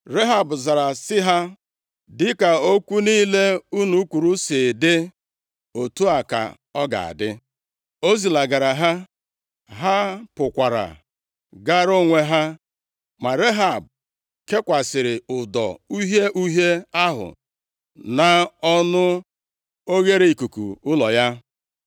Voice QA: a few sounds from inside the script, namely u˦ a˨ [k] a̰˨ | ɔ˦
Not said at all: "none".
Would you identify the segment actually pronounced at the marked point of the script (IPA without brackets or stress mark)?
k